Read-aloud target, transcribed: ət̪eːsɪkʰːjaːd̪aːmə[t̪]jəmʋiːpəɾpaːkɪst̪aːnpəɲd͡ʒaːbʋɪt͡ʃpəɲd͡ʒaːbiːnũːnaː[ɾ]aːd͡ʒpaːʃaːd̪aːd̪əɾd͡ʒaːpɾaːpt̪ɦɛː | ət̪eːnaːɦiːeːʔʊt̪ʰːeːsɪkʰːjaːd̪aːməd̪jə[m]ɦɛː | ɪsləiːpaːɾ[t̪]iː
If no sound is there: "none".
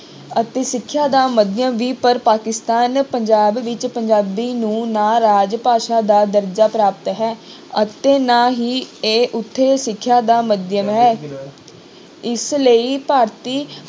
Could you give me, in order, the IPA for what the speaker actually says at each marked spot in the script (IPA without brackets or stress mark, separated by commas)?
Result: d̪, ɾ, m, t̪